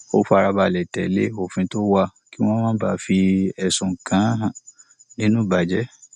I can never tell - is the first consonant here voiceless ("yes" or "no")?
yes